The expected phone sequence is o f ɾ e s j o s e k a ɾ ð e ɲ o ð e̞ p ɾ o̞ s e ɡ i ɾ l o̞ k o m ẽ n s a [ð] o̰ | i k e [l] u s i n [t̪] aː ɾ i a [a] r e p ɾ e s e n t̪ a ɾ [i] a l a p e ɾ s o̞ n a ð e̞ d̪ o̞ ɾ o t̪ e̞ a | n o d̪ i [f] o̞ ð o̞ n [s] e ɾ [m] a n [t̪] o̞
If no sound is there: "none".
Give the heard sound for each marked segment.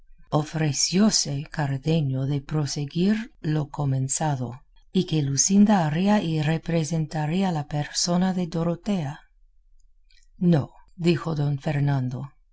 ð, l, d̪, i, i, x, f, n, d̪

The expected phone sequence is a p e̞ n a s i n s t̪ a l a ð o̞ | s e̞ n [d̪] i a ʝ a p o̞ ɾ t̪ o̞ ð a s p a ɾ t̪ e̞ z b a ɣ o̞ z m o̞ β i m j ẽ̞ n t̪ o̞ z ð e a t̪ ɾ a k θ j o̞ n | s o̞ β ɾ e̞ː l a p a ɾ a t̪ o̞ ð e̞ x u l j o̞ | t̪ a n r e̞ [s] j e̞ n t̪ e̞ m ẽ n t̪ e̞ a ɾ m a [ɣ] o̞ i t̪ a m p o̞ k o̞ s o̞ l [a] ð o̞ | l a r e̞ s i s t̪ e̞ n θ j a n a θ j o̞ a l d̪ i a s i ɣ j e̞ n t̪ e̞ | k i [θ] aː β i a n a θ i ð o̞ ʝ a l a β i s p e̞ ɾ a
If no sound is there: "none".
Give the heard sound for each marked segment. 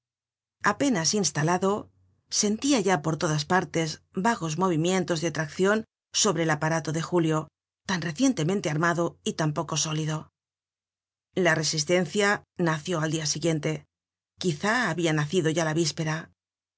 t̪, θ, ð, i, θ

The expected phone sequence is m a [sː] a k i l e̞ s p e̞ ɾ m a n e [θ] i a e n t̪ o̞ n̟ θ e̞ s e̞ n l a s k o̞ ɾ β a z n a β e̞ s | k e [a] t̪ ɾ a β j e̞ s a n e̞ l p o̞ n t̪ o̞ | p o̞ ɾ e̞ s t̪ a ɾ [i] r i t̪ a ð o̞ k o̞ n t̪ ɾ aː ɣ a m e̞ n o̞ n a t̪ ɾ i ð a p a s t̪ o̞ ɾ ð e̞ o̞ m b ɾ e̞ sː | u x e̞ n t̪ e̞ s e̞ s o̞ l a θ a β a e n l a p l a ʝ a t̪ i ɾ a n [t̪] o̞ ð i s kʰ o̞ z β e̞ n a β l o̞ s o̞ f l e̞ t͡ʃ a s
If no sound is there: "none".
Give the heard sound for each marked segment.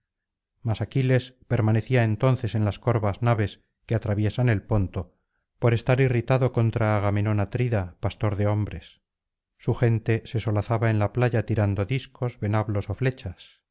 s, θ, a, i, d̪

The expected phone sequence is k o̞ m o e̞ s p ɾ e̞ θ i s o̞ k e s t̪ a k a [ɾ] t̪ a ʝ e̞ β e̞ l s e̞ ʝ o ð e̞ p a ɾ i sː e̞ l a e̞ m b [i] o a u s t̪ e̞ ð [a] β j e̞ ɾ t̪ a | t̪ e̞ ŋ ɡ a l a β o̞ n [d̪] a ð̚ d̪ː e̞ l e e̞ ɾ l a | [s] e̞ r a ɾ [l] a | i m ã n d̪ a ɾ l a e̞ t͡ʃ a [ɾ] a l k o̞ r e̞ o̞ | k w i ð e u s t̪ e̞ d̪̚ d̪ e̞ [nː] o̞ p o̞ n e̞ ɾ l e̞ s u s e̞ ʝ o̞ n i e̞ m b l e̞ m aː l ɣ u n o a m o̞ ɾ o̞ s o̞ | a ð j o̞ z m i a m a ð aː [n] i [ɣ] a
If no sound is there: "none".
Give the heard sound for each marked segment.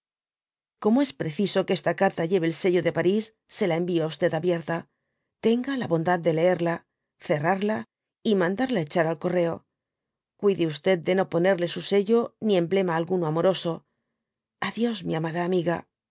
ɾ, i, a, d̪, θ, l, ɾ, n, m, ɣ

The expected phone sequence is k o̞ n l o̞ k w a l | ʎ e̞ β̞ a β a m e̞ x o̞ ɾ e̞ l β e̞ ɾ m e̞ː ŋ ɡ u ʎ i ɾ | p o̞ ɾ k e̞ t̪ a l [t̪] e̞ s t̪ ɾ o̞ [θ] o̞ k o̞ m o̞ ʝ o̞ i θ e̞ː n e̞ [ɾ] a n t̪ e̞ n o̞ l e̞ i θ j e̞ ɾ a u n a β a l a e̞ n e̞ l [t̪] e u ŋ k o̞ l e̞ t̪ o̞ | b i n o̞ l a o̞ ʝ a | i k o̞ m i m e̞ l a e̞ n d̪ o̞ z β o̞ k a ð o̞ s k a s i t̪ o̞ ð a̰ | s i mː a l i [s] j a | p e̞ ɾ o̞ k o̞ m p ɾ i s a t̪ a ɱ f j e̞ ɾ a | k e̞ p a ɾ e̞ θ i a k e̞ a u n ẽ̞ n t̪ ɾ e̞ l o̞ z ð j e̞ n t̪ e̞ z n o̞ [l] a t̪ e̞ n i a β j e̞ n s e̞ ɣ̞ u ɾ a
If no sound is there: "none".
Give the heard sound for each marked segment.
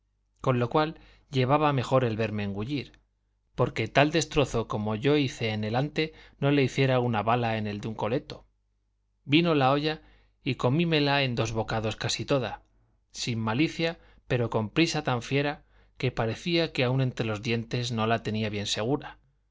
d̪, θ, l, d̪, θ, l

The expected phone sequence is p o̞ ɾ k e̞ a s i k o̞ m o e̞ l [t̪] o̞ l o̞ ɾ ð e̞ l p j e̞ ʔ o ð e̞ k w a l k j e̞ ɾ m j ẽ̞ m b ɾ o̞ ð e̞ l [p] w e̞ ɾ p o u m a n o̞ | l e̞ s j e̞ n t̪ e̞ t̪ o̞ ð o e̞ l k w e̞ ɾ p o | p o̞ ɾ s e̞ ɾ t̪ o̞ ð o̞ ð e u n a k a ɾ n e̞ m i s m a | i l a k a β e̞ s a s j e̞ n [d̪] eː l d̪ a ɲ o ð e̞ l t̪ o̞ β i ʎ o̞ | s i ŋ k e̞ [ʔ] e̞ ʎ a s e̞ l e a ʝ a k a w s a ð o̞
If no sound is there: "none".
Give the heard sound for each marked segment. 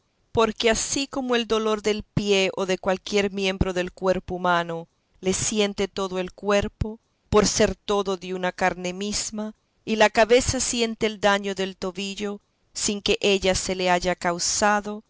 d̪, k, t̪, ʔ

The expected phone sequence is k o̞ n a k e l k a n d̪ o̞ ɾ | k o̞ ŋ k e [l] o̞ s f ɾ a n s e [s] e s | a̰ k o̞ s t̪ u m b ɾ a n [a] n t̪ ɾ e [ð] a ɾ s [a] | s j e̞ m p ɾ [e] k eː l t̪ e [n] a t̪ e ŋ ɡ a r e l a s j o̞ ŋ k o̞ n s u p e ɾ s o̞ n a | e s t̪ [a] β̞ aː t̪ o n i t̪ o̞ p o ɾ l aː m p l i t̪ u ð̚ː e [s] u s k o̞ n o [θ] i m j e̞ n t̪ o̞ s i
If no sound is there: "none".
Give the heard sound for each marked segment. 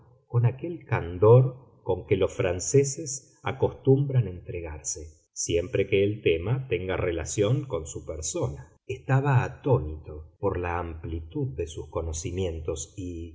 l, s, e, ɣ, e, e, m, a, s, s

